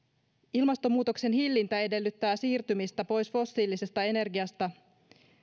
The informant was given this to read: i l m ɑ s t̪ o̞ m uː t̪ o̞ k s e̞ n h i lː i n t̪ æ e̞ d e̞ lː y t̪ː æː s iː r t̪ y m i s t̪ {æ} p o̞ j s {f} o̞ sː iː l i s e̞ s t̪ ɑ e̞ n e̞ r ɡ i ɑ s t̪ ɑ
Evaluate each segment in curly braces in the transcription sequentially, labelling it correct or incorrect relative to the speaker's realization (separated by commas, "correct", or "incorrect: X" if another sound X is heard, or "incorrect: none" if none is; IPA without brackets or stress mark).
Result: correct, correct